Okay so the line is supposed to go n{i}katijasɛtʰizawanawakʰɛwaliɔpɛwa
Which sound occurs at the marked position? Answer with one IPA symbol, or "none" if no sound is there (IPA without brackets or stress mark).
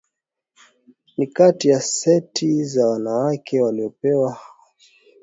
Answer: i